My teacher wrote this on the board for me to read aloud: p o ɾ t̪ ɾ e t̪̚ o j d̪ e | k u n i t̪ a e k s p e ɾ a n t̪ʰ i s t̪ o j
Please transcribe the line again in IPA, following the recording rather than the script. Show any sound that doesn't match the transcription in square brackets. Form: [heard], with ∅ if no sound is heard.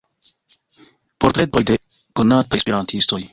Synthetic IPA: p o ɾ t̪ ɾ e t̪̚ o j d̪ e | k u n [a] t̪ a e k s p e ɾ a n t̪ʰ i s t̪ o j